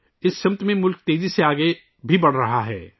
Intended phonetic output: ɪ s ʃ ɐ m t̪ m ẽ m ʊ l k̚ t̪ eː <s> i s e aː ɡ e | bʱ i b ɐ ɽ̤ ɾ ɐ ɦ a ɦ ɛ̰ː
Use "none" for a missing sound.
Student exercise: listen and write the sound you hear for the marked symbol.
z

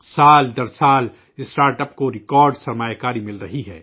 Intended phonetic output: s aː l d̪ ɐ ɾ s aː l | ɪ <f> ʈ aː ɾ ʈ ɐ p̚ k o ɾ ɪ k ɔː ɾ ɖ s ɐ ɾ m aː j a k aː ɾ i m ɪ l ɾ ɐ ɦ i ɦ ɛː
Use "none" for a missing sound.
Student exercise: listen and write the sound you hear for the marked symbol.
s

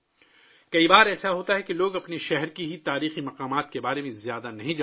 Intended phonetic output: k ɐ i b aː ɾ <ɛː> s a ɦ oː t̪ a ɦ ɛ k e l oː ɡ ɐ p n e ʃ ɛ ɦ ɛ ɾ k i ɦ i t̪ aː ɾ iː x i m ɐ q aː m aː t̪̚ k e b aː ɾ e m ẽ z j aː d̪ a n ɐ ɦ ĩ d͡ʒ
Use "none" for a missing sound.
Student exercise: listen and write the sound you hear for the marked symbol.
ɛː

